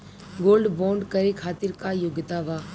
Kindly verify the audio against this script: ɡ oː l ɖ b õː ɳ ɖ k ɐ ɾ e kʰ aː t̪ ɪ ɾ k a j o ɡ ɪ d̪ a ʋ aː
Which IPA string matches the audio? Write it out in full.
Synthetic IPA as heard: ɡ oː l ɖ b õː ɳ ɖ k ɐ ɾ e kʰ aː t̪ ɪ ɾ k a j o ɡ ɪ t̪ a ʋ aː